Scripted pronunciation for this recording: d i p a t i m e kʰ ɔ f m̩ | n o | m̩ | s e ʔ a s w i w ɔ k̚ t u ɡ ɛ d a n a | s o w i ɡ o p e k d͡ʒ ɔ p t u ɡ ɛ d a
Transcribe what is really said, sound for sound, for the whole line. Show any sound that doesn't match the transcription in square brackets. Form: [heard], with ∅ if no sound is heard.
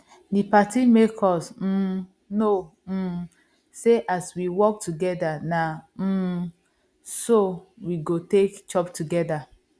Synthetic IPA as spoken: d i p a t i m e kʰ ɔ [s] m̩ | n o | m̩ | s e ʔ a s w i w ɔ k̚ t u ɡ ɛ d a n a | s o w i ɡ o [t] e k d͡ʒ ɔ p t u ɡ ɛ d a